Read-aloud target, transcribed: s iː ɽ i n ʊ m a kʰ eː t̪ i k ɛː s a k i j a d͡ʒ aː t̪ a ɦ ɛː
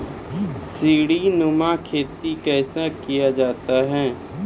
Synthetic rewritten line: s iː ɽ i n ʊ m a kʰ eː t̪ i k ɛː s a k i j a d͡ʒ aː t̪ a ɦ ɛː